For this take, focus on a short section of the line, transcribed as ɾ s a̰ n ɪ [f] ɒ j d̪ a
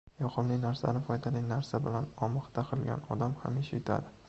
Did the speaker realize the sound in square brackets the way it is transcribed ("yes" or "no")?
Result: yes